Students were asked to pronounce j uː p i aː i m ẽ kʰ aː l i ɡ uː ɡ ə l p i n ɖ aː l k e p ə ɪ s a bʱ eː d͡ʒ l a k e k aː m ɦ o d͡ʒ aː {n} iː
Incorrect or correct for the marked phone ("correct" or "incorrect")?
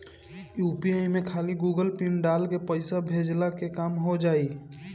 incorrect